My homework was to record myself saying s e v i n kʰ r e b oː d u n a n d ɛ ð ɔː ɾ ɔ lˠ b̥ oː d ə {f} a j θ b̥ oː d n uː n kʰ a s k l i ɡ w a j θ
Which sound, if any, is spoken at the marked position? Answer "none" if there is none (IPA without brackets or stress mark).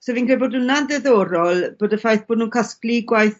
f